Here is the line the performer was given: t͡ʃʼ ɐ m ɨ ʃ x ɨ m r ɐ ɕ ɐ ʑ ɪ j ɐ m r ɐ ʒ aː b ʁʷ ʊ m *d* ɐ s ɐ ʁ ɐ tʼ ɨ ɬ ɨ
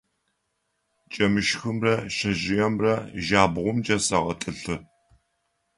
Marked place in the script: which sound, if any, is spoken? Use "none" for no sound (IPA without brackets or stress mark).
d͡ʒ